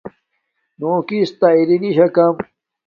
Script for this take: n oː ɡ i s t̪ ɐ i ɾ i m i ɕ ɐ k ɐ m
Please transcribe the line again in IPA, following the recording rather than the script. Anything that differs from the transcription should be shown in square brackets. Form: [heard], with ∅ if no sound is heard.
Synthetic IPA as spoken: n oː [k] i s t̪ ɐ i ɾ i [n] i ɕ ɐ k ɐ m